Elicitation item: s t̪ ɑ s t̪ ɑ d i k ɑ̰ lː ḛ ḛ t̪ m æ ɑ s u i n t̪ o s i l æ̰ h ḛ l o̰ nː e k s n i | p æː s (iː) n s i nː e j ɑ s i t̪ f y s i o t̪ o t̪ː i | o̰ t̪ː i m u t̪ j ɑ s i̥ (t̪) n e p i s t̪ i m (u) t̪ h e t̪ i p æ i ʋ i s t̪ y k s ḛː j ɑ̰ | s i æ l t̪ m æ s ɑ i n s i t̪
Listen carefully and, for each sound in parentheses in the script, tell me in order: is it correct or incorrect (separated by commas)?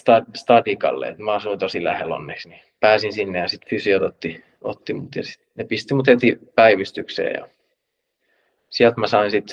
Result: incorrect, correct, correct